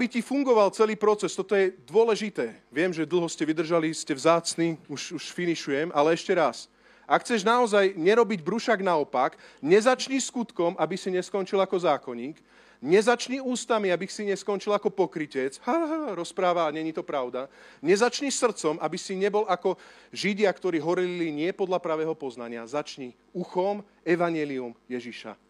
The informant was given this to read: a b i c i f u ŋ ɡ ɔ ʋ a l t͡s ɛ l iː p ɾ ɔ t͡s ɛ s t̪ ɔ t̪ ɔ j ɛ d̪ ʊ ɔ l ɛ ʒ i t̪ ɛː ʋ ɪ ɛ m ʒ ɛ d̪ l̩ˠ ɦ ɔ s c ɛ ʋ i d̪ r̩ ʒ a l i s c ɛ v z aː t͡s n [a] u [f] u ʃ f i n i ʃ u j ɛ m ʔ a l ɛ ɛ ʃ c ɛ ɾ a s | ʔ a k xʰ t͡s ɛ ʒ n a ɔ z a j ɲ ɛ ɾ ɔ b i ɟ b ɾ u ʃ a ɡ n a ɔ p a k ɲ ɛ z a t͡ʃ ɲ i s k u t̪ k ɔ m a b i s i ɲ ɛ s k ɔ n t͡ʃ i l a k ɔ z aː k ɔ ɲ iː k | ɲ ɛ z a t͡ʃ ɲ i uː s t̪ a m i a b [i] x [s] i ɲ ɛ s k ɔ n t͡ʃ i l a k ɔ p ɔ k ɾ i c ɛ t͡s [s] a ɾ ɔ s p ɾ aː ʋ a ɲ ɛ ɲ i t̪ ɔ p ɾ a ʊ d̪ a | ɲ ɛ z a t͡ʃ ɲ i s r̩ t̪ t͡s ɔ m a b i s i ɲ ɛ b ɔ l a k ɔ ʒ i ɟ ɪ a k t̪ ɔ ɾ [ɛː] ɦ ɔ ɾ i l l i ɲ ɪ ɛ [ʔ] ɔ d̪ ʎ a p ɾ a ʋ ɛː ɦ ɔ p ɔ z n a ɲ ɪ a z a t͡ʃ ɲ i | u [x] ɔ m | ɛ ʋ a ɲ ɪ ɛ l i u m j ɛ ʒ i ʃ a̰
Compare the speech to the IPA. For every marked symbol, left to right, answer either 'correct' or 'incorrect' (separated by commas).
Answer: incorrect, incorrect, correct, correct, incorrect, incorrect, incorrect, correct